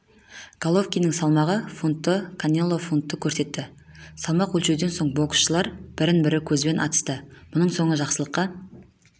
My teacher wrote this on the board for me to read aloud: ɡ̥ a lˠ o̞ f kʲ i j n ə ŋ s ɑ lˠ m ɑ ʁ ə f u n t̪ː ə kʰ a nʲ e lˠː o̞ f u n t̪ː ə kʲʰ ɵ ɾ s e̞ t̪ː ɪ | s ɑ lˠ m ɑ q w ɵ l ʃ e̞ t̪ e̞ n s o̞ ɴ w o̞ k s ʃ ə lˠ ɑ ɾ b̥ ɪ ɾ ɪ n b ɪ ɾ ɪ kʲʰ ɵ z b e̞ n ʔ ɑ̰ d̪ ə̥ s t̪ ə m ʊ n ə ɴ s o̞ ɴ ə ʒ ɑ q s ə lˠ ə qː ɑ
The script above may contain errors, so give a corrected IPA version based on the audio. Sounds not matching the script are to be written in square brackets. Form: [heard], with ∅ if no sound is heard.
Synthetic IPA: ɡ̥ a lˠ o̞ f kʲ i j n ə ŋ s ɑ lˠ m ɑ ʁ ə f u n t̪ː ə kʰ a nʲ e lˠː o̞ f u n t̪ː ə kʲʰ ɵ ɾ s e̞ t̪ː ɪ | s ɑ lˠ m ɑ q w ɵ l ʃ e̞ [d̪] e̞ n s o̞ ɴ [b] o̞ k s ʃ ə lˠ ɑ ɾ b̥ ɪ ɾ ɪ n b ɪ ɾ ɪ kʲʰ ɵ z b e̞ n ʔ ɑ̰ [t̪] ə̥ s t̪ ə m ʊ n ə ɴ s o̞ ɴ ə ʒ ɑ q s ə lˠ ə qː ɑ